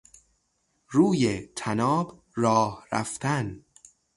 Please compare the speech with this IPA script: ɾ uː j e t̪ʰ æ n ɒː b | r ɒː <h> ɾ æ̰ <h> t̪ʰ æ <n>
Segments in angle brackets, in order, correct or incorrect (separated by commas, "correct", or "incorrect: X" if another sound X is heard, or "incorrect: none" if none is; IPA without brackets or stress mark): correct, incorrect: f, correct